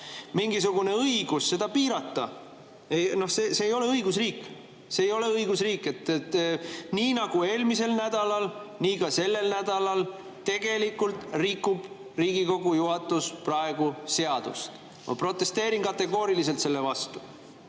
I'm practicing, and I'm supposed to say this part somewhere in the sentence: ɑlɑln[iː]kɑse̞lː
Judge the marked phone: correct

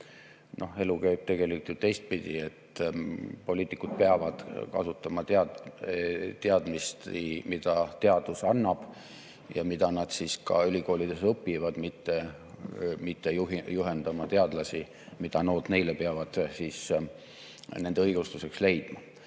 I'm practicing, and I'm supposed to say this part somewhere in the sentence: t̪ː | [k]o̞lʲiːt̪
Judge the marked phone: incorrect: p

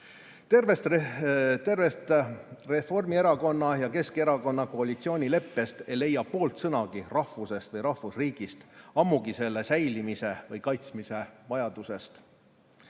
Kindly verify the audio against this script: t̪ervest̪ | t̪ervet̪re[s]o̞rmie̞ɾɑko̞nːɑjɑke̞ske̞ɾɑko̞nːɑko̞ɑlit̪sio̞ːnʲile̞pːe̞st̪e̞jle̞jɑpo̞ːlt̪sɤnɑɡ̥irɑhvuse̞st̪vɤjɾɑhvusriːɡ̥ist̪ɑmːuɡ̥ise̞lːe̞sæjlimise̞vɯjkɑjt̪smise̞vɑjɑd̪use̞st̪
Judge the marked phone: incorrect: f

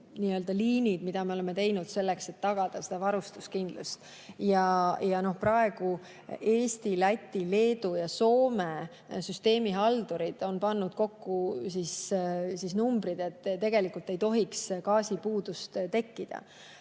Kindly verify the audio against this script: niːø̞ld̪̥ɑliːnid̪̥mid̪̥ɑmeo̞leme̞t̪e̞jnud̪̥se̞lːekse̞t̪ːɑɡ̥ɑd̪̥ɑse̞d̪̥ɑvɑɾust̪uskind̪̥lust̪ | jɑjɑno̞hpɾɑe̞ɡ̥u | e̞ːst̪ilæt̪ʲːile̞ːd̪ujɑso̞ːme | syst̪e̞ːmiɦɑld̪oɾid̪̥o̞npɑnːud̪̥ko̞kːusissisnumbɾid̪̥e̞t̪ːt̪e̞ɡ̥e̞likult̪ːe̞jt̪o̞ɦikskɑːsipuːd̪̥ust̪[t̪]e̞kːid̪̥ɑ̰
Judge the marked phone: correct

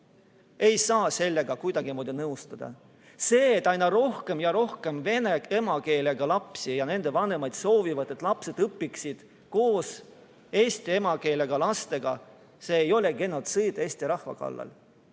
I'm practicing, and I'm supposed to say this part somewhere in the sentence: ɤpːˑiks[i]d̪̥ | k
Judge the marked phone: correct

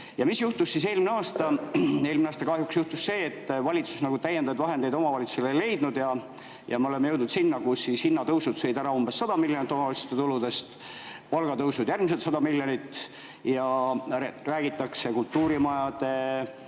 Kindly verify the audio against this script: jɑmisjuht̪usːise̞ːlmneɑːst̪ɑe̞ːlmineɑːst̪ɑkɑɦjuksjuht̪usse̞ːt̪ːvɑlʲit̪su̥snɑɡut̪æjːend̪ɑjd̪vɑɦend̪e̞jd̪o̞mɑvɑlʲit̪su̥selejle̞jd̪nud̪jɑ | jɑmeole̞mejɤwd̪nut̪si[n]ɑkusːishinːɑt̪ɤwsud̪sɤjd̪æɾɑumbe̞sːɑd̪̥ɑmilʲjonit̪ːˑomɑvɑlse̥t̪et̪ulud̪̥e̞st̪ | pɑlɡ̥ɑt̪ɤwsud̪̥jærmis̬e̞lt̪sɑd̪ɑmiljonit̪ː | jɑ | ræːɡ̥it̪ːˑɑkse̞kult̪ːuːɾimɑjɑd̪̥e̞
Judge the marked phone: incorrect: nː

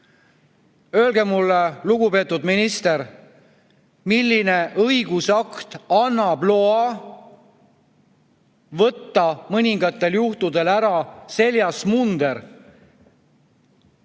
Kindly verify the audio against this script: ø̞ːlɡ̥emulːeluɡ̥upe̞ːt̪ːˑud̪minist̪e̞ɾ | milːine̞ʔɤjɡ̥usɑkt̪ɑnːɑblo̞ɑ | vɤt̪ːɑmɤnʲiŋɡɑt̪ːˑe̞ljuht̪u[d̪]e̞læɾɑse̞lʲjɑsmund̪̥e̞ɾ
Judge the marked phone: correct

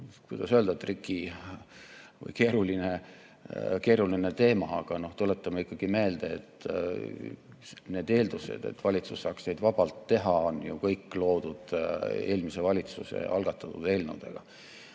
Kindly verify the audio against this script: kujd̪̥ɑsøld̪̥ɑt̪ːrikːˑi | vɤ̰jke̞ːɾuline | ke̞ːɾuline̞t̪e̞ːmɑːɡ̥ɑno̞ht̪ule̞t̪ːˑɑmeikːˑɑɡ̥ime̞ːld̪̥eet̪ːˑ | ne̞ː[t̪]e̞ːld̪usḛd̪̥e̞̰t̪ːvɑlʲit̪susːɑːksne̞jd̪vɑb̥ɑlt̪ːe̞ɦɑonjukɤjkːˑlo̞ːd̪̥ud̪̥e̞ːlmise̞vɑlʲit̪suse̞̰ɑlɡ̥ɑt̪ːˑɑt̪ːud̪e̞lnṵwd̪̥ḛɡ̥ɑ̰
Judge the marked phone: incorrect: d̪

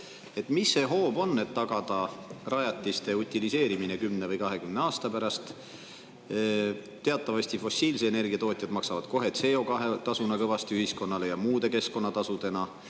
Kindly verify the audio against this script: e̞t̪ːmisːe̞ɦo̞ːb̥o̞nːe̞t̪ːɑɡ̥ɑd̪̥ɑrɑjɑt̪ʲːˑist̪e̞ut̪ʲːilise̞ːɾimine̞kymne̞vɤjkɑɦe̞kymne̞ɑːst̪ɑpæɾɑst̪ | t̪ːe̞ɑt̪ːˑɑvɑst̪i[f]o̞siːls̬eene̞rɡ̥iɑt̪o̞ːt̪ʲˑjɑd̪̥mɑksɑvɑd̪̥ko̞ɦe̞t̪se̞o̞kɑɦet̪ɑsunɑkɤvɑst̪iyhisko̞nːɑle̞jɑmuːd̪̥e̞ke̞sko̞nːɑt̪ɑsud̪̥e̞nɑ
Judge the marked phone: correct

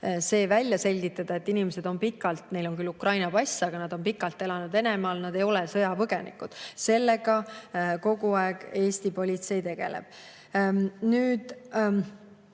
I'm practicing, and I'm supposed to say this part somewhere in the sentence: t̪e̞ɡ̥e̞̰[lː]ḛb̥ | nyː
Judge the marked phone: incorrect: l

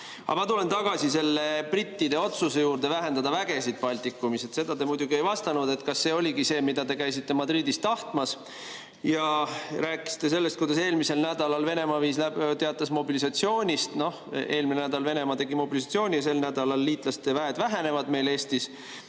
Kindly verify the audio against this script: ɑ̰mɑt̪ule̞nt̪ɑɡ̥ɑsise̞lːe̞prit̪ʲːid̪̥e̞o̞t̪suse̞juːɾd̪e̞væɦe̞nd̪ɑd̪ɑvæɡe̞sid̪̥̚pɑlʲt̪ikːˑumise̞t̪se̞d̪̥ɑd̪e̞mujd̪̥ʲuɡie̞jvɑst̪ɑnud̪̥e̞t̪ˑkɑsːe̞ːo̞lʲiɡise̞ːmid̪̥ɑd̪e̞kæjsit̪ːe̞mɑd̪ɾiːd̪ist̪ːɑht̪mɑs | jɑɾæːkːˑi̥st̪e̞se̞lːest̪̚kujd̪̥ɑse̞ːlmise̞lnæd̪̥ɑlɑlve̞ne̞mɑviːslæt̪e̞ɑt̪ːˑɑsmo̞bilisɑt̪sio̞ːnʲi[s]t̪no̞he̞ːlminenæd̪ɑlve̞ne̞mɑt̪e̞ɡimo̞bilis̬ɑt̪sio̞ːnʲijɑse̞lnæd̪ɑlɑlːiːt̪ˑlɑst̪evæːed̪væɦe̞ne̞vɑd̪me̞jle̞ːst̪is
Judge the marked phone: correct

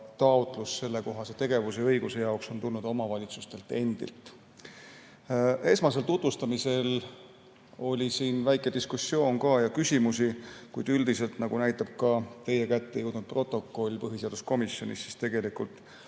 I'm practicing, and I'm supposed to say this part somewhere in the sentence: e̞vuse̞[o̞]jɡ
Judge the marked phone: incorrect: ɤ̞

